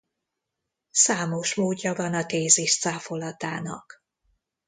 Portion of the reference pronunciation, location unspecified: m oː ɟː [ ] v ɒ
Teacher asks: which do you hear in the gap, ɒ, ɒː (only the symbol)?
ɒ